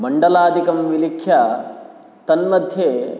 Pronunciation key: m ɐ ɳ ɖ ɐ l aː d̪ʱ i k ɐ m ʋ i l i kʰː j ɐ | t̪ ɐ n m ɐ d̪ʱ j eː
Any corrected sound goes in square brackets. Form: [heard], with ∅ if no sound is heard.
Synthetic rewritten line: m ɐ ɳ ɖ ɐ l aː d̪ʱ i k ɐ m ʋ i l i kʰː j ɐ | t̪ ɐ n m ɐ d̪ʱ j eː